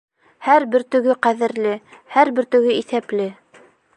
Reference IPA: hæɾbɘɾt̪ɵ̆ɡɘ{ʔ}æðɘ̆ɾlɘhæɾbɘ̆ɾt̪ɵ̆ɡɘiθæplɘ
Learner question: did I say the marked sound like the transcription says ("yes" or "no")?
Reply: no